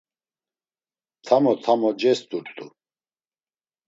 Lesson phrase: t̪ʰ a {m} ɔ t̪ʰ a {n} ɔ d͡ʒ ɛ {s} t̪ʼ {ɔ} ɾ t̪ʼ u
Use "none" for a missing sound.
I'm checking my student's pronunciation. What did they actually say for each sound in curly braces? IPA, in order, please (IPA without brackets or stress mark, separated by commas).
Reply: m, m, s, u